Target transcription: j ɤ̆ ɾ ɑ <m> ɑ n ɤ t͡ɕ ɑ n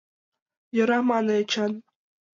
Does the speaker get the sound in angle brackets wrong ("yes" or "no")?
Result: no